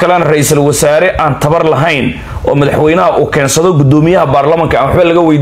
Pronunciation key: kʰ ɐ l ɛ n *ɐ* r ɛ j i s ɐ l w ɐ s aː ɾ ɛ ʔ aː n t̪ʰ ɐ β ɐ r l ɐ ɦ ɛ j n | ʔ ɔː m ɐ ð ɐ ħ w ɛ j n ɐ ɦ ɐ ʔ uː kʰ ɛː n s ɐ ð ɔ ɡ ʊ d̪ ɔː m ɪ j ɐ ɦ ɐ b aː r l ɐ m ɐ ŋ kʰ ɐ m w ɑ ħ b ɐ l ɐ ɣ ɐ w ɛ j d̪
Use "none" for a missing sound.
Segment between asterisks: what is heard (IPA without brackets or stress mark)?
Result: ɐ